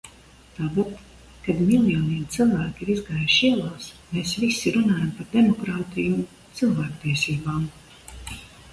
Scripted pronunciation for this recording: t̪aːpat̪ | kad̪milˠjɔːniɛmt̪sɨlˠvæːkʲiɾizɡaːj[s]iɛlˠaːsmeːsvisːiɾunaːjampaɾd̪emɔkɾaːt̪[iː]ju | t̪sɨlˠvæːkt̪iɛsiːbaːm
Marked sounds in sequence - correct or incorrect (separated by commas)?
incorrect, incorrect